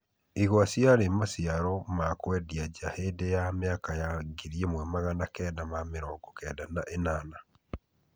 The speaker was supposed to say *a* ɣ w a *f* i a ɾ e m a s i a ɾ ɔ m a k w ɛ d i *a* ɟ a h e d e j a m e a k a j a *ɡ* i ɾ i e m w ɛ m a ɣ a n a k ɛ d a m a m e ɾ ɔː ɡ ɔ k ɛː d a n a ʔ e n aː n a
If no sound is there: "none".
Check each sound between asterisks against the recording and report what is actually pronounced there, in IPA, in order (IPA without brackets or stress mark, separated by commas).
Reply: i, s, a, ɡ